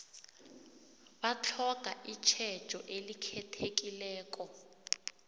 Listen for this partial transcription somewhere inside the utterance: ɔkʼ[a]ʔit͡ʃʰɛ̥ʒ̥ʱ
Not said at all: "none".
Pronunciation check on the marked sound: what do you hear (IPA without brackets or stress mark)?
a